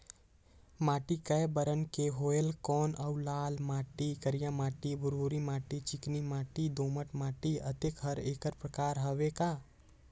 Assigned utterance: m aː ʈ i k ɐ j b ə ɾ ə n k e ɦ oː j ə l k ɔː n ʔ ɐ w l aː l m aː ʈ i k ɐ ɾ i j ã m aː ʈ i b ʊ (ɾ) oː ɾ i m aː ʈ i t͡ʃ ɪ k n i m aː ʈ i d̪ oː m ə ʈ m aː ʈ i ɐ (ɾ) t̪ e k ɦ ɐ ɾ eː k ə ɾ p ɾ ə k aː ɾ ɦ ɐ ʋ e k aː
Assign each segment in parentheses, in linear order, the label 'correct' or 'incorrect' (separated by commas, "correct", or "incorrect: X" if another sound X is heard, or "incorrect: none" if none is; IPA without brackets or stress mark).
correct, incorrect: none